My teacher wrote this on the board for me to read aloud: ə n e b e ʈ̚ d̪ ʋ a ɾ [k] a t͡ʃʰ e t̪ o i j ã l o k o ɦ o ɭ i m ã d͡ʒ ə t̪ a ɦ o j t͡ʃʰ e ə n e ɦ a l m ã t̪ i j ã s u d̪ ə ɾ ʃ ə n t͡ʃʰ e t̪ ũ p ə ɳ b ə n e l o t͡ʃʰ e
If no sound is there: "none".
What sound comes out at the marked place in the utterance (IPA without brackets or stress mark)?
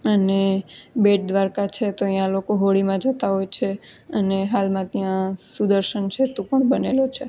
k